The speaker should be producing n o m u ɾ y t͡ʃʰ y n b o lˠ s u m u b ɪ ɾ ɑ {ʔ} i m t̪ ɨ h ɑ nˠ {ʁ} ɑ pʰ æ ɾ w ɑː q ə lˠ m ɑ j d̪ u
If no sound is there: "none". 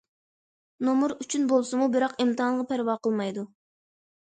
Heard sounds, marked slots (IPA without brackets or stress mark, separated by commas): q, ʁ